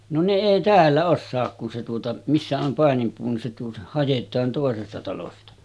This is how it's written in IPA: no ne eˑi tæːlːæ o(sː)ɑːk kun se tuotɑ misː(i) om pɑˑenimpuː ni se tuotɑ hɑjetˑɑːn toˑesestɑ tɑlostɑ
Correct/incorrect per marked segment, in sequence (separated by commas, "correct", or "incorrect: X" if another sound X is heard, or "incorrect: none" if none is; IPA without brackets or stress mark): correct, incorrect: æ